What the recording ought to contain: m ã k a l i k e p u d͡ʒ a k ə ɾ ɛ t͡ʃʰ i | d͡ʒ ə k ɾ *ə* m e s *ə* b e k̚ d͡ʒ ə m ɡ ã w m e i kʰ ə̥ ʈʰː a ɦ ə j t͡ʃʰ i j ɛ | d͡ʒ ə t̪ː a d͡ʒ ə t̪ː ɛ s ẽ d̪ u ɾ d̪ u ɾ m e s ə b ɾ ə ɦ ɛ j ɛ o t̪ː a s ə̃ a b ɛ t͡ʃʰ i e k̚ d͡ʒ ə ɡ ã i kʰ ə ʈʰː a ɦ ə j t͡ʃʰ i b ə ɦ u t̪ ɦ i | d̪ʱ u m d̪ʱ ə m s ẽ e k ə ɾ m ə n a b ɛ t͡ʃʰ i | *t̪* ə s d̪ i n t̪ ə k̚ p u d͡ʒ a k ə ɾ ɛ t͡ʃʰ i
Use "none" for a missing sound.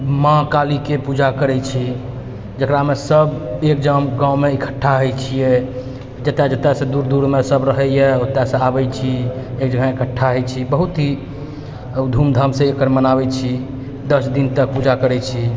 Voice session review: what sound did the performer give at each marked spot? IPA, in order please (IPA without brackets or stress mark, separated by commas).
a, ə, d̪